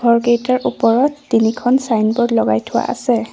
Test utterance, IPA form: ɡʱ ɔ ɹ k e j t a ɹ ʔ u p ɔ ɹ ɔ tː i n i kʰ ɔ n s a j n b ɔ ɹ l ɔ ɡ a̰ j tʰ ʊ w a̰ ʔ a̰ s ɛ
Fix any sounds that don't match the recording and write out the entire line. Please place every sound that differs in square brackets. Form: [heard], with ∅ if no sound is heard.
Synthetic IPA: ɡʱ ɔ ɹ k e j t a ɹ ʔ u p ɔ ɹ ɔ tː i n i kʰ ɔ n s a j n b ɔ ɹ l ɔ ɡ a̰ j tʰ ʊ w a̰ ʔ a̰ s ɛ